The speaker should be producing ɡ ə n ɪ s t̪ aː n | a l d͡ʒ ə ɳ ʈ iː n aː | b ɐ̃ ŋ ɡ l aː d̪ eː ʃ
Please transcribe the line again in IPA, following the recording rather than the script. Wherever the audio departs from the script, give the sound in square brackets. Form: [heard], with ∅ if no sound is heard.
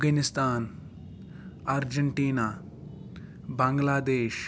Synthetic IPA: ɡ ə n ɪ s t̪ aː n | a [ɾ] d͡ʒ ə ɳ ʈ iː n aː | b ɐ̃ ŋ ɡ l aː d̪ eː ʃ